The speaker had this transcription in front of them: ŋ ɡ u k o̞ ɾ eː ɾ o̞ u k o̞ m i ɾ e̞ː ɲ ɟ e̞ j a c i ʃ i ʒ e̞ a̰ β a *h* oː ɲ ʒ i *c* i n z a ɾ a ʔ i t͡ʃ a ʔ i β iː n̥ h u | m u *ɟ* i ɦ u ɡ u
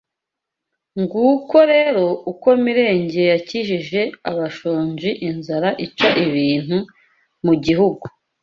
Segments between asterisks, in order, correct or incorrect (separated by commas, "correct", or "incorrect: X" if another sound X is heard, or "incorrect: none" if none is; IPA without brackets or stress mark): incorrect: ʃ, incorrect: ʔ, correct